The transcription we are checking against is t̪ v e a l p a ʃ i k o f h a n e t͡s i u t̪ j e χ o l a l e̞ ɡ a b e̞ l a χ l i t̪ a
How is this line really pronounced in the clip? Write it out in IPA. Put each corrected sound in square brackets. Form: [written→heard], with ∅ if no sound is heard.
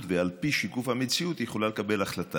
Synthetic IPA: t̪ v e a l p [a→i] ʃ i k [o→u] f h a [n→m] e t͡s i u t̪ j e χ o l a l e̞ [ɡ→k] a b e̞ l a χ l [i→a] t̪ a